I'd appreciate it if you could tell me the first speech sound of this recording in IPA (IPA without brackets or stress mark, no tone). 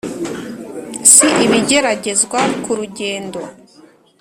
s